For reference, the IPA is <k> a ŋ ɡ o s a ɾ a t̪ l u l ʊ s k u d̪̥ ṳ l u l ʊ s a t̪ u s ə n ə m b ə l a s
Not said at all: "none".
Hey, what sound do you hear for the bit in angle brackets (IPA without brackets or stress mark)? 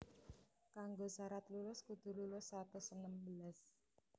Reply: k